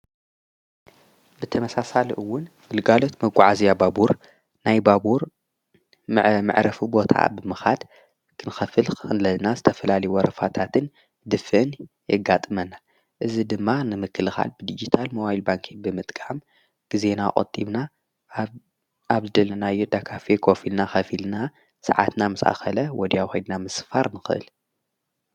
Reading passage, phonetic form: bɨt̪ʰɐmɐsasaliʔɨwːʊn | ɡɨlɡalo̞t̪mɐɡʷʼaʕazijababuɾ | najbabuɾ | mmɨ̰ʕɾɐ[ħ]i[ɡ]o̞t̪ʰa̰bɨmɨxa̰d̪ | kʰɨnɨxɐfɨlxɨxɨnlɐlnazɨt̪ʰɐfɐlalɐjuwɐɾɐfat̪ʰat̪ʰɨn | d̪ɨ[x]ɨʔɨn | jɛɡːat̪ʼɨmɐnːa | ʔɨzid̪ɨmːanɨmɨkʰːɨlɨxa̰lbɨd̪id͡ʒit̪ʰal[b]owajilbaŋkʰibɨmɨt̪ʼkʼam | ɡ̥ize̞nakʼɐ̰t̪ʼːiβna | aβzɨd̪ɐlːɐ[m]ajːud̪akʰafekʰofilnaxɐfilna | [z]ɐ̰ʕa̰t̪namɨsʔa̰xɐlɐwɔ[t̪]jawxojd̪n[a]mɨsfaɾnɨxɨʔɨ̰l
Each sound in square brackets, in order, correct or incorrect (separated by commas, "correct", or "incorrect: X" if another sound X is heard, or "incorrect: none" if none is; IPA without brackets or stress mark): incorrect: f, incorrect: b, incorrect: f, incorrect: m, incorrect: n, incorrect: s, incorrect: d̪, correct